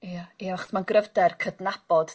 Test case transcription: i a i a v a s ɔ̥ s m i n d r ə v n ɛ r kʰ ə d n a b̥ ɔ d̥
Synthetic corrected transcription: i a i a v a χ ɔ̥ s m a n ɡ r ə v d ɛ r kʰ ə d n a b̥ ɔ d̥